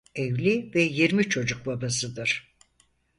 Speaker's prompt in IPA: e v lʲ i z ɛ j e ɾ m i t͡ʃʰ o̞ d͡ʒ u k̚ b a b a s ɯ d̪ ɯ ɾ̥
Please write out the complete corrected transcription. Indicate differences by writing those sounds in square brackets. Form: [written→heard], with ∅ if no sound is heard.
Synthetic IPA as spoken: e v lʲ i [z→v] ɛ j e ɾ m i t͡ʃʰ o̞ d͡ʒ u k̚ b a b a s ɯ d̪ ɯ ɾ̥